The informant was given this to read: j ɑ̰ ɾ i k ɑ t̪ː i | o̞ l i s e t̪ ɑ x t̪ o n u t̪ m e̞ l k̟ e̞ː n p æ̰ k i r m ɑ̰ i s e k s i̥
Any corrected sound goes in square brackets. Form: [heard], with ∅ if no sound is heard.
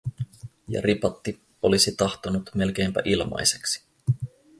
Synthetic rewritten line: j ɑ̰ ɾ i [p] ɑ t̪ː i | o̞ l i s [i] t̪ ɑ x t̪ o n u t̪ m e̞ l k̟ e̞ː [m] p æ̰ [ʔ] i [l] m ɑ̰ [j] s e k s i̥